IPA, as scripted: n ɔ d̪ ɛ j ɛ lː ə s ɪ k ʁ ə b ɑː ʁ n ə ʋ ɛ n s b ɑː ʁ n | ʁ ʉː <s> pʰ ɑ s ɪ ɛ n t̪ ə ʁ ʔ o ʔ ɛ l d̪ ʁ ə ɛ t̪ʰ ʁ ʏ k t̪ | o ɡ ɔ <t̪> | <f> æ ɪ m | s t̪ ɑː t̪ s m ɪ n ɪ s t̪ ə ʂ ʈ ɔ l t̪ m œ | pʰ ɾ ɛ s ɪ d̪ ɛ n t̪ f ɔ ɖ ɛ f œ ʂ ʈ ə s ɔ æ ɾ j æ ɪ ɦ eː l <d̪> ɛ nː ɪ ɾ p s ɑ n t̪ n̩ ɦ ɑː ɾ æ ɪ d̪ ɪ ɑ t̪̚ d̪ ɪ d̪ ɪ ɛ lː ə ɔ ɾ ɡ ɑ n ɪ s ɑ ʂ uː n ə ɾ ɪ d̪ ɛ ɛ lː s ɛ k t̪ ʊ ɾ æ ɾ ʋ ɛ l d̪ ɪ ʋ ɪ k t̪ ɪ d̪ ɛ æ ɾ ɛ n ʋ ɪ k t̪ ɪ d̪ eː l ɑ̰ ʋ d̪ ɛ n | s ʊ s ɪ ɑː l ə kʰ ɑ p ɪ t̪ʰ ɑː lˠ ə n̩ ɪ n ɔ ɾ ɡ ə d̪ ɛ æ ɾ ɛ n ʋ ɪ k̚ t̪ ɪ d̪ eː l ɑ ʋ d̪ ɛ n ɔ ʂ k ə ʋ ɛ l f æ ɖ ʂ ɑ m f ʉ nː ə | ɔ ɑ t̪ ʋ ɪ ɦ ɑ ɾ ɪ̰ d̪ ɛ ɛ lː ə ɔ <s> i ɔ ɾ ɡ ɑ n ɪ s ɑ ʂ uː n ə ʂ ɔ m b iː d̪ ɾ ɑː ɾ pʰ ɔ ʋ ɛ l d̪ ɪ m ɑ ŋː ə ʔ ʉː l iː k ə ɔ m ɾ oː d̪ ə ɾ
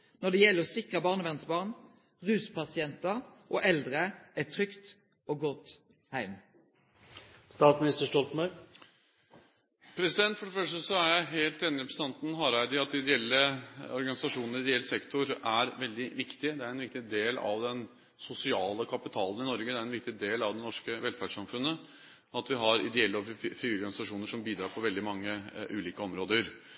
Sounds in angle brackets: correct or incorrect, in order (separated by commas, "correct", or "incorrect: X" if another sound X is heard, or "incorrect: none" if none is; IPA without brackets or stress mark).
correct, correct, incorrect: h, incorrect: t̪, incorrect: f